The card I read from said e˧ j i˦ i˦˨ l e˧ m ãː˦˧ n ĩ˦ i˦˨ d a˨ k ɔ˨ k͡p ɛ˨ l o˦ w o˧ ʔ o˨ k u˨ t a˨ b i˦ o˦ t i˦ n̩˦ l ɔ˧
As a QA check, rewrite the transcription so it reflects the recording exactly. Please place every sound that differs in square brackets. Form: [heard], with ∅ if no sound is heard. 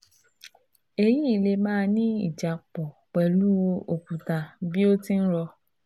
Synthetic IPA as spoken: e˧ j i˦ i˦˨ l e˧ m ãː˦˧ n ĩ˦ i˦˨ [d͡ʒ] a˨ [k͡p] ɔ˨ k͡p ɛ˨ l [u˦] w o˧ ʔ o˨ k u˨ t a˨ b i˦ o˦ t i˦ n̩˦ [ɾ] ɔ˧

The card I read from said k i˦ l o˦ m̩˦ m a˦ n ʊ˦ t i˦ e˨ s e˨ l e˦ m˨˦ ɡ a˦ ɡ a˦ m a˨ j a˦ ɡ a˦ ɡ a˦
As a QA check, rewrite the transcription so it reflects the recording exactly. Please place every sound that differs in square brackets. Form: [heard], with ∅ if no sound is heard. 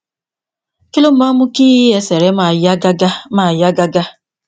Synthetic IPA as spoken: k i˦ l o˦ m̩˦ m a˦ [m] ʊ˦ [k] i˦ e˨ s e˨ [ɾ] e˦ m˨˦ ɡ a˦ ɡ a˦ m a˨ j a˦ ɡ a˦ ɡ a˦

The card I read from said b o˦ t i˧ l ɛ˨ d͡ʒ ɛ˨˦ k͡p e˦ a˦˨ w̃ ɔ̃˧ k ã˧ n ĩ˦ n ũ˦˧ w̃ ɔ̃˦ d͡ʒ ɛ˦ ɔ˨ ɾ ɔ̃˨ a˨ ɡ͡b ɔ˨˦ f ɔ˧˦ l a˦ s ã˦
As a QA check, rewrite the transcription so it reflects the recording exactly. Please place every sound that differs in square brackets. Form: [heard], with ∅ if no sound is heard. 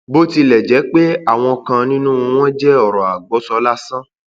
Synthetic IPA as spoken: b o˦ t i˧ l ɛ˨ d͡ʒ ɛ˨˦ k͡p e˦ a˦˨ w̃ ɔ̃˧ k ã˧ n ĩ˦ n ũ˦˧ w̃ ɔ̃˦ d͡ʒ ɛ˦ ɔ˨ ɾ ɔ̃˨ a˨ ɡ͡b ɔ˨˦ [s] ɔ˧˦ l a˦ s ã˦

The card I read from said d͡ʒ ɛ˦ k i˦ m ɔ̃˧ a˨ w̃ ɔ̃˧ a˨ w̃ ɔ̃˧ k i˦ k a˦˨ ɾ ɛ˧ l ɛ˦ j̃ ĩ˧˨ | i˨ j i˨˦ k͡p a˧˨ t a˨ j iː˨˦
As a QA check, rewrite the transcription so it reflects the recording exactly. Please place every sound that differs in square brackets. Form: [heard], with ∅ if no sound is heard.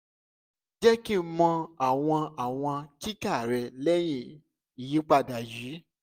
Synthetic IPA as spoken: d͡ʒ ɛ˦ k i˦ m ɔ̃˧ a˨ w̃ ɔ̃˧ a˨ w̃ ɔ̃˧ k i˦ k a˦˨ ɾ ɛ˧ l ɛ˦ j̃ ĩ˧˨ | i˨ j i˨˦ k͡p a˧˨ [d] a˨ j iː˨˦

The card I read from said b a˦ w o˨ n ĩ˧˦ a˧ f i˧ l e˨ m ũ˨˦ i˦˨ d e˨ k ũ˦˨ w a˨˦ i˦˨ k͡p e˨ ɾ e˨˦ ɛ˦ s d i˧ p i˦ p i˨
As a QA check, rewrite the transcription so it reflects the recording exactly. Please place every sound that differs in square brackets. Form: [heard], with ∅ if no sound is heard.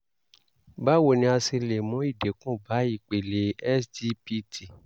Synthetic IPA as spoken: b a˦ w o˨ n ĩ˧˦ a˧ [s] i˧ l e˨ m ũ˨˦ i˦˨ d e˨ k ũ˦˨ [b] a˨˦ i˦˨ k͡p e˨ [l] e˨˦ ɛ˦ s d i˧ p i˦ [t] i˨

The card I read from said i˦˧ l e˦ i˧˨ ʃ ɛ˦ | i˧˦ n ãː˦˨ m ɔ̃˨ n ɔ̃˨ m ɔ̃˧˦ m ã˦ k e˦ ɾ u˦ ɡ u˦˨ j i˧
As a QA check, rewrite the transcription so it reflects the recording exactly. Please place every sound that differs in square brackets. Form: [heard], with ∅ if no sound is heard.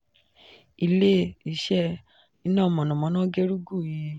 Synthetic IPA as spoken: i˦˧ l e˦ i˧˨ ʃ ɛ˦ | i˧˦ n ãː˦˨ m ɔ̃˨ n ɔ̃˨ m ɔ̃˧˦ [n] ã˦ [ɡ] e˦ ɾ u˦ ɡ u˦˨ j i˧

